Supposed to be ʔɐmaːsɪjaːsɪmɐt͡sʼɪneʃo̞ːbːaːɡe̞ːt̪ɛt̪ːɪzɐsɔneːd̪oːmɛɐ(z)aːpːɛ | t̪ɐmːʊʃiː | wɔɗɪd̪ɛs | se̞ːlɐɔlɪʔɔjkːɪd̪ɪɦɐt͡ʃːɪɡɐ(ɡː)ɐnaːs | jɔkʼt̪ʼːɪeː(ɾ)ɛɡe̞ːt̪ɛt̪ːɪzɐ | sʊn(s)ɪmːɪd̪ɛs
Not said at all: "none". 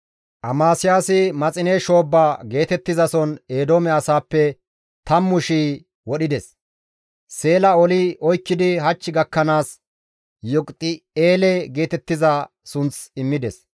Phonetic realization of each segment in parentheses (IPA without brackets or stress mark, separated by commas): s, kː, l, t͡s